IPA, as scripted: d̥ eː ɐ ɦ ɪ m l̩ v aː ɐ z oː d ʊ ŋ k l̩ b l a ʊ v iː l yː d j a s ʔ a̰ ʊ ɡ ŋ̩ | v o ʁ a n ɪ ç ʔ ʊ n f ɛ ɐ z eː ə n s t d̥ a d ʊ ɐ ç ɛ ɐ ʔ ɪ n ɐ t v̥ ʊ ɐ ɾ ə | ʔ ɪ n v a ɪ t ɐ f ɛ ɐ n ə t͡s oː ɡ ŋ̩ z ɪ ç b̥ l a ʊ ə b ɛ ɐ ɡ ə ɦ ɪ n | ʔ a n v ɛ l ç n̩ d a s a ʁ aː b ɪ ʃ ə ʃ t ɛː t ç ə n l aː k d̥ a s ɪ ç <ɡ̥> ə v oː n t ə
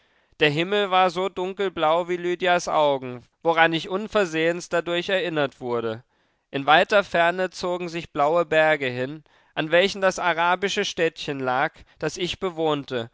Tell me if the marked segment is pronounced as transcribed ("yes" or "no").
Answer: no